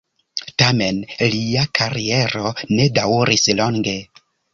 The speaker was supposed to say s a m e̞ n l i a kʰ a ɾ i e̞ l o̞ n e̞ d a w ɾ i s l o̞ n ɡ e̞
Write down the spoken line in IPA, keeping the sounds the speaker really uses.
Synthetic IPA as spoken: t a m e̞ n l i a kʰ a ɾ i e̞ ɾ o̞ n e̞ d a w ɾ i s l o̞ ŋ ɡ e̞